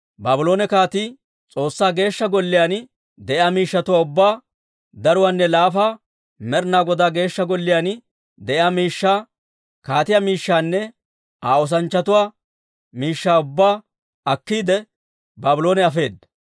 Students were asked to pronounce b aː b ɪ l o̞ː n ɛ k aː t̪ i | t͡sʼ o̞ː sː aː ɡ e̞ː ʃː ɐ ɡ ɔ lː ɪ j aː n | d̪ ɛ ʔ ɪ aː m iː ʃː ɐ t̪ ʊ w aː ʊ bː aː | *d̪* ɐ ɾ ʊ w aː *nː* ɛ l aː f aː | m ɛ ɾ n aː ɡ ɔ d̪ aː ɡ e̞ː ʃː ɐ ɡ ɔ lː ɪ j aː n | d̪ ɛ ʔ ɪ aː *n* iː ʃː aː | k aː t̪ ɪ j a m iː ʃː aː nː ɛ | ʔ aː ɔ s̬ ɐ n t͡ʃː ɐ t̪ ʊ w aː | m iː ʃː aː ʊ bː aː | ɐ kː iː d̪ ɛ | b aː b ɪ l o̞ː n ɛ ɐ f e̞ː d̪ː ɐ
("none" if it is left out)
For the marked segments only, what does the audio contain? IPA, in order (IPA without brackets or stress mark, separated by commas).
d̪, nː, m